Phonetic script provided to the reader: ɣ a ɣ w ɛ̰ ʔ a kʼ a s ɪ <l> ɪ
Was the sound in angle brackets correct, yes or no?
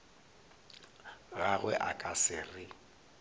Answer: no